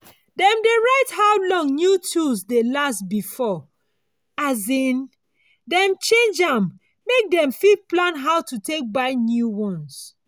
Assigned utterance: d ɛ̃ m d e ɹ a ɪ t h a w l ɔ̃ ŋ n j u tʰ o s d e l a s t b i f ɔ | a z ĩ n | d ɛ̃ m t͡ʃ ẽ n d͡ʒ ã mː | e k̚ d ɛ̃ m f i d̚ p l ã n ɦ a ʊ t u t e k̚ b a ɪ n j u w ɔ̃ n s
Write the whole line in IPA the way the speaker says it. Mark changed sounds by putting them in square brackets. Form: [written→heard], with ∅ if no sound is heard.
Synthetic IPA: d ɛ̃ m d e ɹ a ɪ t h a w l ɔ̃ ŋ n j u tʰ [o→u] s d e l a s t b i f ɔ | a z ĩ n | d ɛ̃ m t͡ʃ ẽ n d͡ʒ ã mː | e k̚ d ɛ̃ m f i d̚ p l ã n ɦ a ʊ t u t e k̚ b a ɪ n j u w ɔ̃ n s